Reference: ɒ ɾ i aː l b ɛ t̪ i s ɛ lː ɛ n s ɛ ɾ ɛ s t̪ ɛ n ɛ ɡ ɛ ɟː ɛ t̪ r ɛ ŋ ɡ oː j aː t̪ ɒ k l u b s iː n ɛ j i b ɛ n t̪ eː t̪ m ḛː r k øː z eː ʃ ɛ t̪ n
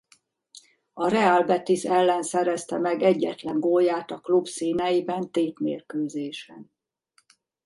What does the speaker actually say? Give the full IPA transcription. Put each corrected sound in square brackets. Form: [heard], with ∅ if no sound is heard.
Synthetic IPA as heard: ɒ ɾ [ɛ] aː l b ɛ t̪ i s ɛ lː ɛ n s ɛ ɾ ɛ s t̪ ɛ [m] ɛ ɡ ɛ ɟː ɛ t̪ [l] ɛ ŋ ɡ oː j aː t̪ ɒ k l u b s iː n ɛ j i b ɛ n t̪ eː t̪ m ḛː r k øː z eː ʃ ɛ [∅] n